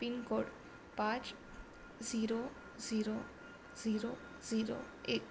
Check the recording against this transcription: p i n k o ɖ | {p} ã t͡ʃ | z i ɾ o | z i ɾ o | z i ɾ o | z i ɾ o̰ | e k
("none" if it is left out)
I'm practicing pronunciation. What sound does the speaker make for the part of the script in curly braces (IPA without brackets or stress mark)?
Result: p